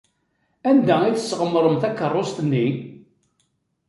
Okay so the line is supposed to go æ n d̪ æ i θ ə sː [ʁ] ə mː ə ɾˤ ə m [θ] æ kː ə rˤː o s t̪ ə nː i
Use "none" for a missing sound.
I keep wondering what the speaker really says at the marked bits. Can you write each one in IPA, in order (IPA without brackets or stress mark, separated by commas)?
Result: ʁ, θ